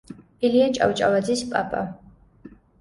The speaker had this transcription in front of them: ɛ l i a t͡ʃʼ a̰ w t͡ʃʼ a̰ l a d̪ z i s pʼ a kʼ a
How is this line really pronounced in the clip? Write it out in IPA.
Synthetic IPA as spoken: i l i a t͡ʃʼ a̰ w t͡ʃʼ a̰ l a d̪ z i s pʼ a pʼ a

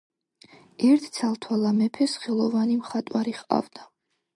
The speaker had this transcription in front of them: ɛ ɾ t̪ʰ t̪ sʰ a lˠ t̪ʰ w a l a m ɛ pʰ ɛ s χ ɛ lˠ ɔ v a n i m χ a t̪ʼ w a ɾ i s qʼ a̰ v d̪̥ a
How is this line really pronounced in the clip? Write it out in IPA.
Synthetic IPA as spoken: ɛ ɾ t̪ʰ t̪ sʰ a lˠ t̪ʰ w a l a m ɛ pʰ ɛ s χ ɛ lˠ ɔ v a n i m χ a t̪ʼ w a ɾ i χ qʼ a̰ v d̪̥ a

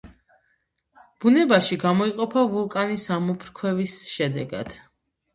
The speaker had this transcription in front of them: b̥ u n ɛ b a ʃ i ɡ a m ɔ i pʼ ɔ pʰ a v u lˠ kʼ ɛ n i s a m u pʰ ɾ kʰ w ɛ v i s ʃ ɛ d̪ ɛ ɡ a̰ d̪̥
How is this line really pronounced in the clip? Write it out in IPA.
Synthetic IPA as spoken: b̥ u n ɛ b a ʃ i ɡ a m ɔ i qʼ ɔ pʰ a v u lˠ kʼ a n i s a m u pʰ ɾ kʰ w ɛ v i s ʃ ɛ d̪ ɛ ɡ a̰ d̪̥

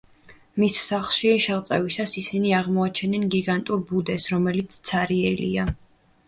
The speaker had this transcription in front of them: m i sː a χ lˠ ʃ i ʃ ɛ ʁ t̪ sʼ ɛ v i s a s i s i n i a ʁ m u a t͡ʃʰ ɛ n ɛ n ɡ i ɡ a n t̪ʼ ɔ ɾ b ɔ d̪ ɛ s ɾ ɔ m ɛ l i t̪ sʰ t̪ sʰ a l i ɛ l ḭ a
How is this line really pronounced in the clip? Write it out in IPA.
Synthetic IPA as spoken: m i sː a χ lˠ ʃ i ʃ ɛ ʁ t̪ sʼ ɛ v i s a s i s i n i a ʁ m ɔ a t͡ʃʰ ɛ n ɛ n ɡ i ɡ a n t̪ʼ u ɾ b u d̪ ɛ s ɾ ɔ m ɛ l i t̪ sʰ t̪ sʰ a ɾ i ɛ l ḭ a

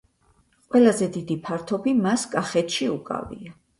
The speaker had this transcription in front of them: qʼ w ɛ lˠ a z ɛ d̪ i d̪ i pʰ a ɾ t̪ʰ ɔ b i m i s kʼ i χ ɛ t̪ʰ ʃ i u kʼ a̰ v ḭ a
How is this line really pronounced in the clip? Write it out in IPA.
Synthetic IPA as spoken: qʼ w ɛ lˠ a z ɛ d̪ i d̪ i pʰ a ɾ t̪ʰ ɔ b i m a s kʼ a χ ɛ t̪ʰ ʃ i u kʼ a̰ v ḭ a

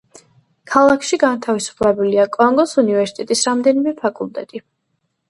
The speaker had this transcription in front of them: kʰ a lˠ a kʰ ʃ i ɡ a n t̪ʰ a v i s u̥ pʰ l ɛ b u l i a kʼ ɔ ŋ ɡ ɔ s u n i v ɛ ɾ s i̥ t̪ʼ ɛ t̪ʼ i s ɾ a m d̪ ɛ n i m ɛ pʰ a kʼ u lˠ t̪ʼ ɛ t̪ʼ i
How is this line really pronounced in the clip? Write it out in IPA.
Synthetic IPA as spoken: kʰ a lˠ a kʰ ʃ i ɡ a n t̪ʰ a v i s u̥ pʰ l ɛ b u l i a kʼ ɔ ŋ ɡ ɔ s u n i v ɛ ɾ s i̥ t̪ʼ ɛ t̪ʼ i s ɾ a m d̪ ɛ n i m ɛ pʰ a kʼ u lˠ t̪ʼ ɛ t̪ʼ i

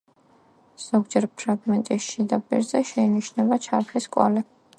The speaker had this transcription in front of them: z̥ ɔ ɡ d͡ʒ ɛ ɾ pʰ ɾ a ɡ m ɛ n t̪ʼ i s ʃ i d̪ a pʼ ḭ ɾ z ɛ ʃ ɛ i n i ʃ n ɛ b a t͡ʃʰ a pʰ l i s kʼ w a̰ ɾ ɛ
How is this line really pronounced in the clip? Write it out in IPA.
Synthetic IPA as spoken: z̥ ɔ ɡ d͡ʒ ɛ ɾ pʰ ɾ a ɡ m ɛ n t̪ʼ i s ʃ i d̪ a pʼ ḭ ɾ z ɛ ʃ ɛ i n i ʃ n ɛ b a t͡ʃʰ a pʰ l i s kʼ w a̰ l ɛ

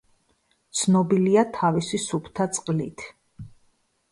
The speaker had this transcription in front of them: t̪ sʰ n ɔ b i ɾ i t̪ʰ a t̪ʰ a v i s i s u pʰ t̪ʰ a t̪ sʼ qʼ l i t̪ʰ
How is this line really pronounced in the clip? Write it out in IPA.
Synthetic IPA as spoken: t̪ sʰ n ɔ b i l i a t̪ʰ a v i s i s u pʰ t̪ʰ a t̪ sʼ qʼ l i t̪ʰ

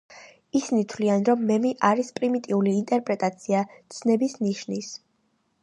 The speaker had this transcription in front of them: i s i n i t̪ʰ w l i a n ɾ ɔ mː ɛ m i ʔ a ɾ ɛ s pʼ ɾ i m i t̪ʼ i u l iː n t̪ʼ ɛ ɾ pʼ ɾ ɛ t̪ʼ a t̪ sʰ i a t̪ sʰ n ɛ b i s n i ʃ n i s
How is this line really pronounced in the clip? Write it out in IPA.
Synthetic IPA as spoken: i s i n i t̪ʰ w l i a n ɾ ɔ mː ɛ m i ʔ a ɾ i s pʼ ɾ i m i t̪ʼ i u l iː n t̪ʼ ɛ ɾ pʼ ɾ ɛ t̪ʼ a t̪ sʰ i a t̪ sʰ n ɛ b i s n i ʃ n i s

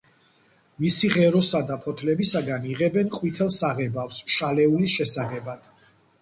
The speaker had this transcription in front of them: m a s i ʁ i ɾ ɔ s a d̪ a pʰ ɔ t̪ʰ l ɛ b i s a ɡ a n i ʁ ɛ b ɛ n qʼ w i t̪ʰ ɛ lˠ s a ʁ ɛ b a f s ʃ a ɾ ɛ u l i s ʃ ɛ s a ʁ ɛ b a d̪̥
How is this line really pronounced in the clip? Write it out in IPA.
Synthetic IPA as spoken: m i s i ʁ ɛ ɾ ɔ s a d̪ a pʰ ɔ t̪ʰ l ɛ b i s a ɡ a n i ʁ ɛ b ɛ n qʼ w i t̪ʰ ɛ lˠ s a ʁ ɛ b a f s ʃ a l ɛ u l i s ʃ ɛ s a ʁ ɛ b a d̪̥

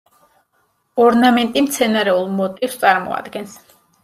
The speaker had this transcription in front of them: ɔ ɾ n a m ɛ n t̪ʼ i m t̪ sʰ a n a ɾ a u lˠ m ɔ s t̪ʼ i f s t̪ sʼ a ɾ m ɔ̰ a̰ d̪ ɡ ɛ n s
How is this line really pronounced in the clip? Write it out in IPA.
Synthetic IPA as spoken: ɔ ɾ n a m ɛ n t̪ʼ i m t̪ sʰ ɛ n a ɾ ɛ u lˠ m ɔ t̪ʼ i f s t̪ sʼ a ɾ m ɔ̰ a̰ d̪ ɡ ɛ n s

